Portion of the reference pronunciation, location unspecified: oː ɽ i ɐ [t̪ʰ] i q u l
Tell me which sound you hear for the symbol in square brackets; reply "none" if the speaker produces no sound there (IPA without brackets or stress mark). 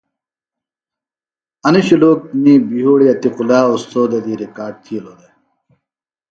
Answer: t̪